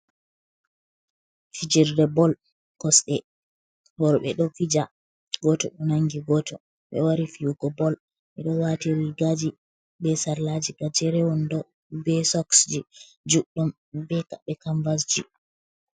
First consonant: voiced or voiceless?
voiceless